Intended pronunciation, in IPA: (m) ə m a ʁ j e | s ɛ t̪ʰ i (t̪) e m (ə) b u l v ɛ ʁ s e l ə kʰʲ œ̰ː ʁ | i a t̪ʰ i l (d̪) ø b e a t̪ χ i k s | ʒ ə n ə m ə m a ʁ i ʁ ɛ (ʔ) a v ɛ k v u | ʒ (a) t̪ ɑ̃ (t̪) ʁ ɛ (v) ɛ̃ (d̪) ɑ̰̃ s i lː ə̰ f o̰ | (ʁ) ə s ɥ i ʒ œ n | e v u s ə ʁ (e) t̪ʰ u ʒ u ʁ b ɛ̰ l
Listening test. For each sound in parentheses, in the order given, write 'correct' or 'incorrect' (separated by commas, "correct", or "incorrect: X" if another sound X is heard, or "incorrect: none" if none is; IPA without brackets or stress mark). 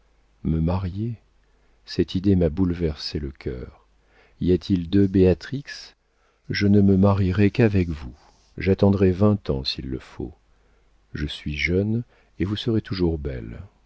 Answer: correct, incorrect: d̪, incorrect: a, correct, incorrect: k, correct, incorrect: d̪, correct, incorrect: t̪, incorrect: ʒ, correct